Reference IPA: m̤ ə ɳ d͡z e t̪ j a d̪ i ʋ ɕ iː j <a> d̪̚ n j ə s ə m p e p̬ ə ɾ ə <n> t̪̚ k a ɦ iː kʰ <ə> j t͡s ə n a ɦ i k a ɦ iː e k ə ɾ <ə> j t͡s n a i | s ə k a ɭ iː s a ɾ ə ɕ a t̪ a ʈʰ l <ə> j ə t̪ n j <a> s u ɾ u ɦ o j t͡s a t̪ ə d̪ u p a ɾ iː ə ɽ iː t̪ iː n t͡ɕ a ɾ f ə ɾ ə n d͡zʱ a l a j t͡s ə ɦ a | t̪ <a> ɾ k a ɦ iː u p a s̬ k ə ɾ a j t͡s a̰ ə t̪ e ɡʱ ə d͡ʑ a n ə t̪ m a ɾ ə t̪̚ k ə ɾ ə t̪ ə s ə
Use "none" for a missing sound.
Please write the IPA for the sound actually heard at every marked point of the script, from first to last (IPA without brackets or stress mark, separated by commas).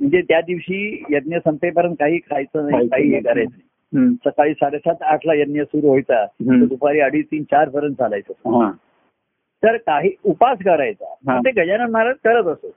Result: ə, n, a, a, a, ə, ə